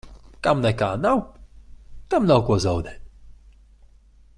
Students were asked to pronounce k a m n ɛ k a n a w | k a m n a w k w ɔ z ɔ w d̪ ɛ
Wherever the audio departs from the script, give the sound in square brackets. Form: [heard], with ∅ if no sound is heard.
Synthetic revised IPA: k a m n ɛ k a n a w | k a m n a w k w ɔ z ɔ w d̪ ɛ